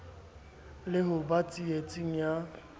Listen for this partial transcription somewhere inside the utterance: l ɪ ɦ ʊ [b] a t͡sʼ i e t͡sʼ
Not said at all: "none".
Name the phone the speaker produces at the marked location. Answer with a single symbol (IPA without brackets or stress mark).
b